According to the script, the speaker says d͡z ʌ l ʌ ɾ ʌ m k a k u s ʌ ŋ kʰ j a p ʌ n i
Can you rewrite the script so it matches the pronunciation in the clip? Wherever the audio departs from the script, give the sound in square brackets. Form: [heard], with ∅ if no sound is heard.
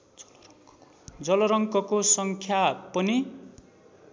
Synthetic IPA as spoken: d͡z ʌ l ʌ ɾ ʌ [ŋ] k [ʌ] k [o] s ʌ ŋ kʰ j a p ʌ n i